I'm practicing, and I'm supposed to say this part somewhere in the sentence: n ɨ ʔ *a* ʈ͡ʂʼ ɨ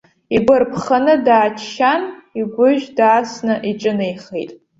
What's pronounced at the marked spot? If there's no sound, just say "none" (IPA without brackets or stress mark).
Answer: i